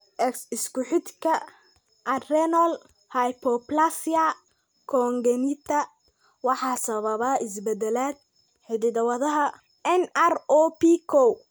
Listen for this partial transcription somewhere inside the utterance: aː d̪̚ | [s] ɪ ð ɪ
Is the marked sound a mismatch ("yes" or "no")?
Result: yes